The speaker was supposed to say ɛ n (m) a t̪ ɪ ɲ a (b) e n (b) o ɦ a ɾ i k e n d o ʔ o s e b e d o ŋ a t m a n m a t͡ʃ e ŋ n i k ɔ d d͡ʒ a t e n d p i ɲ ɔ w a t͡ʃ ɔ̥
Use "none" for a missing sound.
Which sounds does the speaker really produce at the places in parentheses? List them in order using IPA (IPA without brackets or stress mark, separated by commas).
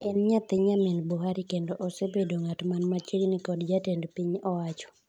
ɲ, m, b